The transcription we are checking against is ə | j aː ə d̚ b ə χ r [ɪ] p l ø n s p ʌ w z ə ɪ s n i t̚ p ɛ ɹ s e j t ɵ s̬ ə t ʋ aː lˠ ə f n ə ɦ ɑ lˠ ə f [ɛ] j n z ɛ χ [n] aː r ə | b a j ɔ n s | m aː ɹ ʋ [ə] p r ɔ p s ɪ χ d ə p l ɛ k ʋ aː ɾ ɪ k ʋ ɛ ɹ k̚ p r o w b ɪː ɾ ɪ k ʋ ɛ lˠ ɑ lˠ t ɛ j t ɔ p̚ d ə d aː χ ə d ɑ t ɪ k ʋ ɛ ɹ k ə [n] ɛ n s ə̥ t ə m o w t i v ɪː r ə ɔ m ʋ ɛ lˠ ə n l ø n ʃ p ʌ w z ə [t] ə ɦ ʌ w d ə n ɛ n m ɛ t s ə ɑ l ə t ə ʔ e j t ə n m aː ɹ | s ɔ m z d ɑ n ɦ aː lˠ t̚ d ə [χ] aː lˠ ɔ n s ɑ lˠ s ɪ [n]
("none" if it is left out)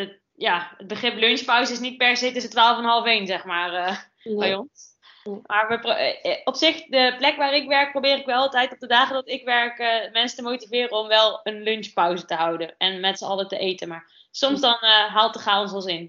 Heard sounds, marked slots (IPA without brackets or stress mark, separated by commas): ɪ, e, m, ə, m, t, χ, n